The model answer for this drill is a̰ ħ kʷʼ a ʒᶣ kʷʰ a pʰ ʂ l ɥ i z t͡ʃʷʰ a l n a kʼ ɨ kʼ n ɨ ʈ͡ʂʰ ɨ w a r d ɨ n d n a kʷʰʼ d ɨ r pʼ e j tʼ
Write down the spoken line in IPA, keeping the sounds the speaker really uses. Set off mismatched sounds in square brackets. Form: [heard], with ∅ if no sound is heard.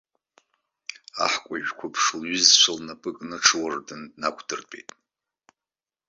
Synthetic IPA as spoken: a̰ ħ kʷʼ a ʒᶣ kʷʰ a pʰ ʂ l ɥ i z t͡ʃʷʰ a l n a [pʼ] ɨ kʼ n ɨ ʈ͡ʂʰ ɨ w a r d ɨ n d n a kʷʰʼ d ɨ r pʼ e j tʼ